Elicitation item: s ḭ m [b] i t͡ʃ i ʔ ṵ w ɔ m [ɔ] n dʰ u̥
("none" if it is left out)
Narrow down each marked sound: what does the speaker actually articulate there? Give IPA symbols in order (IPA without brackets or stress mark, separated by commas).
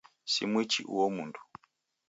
w, u